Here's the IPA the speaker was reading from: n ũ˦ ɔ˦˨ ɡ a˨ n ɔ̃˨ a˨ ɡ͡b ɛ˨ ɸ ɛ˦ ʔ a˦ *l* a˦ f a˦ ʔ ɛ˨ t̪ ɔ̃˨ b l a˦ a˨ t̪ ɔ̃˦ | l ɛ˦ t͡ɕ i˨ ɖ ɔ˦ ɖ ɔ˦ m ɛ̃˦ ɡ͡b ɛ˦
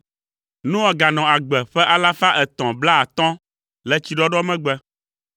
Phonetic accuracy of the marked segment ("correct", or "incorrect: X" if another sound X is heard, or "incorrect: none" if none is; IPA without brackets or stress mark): correct